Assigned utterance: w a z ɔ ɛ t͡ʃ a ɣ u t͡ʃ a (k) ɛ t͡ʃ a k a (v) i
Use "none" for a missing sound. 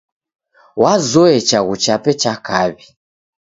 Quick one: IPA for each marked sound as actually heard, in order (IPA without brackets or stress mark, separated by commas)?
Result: p, β